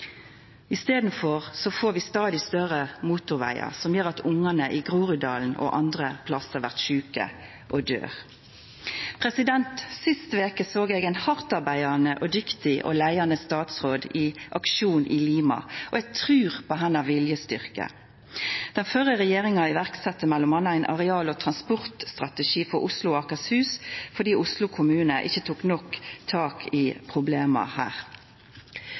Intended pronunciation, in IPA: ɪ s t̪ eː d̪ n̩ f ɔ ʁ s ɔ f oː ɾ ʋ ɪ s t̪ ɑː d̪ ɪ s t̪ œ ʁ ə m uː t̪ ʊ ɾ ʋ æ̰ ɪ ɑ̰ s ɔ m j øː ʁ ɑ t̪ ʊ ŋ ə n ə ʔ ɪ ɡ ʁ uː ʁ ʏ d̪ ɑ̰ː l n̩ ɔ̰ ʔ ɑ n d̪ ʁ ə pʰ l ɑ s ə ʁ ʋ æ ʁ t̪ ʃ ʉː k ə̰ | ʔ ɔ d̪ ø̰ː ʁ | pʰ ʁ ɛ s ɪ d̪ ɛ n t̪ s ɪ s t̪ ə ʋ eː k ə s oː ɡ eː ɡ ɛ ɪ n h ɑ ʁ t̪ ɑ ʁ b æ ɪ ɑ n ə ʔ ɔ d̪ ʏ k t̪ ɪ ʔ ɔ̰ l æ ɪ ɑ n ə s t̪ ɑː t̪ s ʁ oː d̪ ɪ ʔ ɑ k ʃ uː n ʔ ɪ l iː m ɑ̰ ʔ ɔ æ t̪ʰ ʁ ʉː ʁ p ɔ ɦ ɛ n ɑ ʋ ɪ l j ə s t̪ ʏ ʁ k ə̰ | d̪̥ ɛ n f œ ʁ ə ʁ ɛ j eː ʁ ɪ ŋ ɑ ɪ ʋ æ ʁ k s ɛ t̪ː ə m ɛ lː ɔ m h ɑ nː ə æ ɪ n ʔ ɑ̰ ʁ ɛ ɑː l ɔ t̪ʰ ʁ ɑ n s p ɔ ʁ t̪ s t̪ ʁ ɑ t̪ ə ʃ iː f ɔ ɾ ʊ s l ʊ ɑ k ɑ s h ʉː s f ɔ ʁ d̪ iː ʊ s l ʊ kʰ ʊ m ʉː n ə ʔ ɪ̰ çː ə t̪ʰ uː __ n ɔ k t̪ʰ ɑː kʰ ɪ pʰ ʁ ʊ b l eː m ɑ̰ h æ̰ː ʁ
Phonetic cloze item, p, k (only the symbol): k